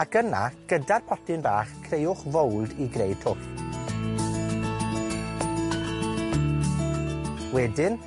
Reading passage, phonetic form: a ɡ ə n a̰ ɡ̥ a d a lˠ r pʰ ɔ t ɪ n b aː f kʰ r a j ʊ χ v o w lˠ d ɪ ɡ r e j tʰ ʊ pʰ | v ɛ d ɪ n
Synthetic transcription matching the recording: a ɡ ə n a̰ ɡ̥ ə d a r pʰ ɔ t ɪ n b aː χ kʰ r e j ʊ χ v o w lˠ d i ɡ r e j tʰ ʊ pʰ | w ɛ d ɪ n